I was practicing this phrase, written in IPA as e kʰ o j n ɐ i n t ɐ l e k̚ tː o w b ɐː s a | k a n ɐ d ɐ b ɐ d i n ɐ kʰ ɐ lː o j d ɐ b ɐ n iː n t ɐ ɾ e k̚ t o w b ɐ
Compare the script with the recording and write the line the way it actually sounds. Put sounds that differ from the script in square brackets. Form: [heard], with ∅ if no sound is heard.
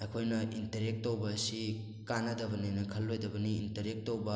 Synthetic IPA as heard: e kʰ o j n ɐ i n t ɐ [ɾ] e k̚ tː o w b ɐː s [i] | k a n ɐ d ɐ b ɐ [n] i n ɐ kʰ ɐ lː o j d ɐ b ɐ n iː n t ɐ ɾ e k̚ t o w b ɐ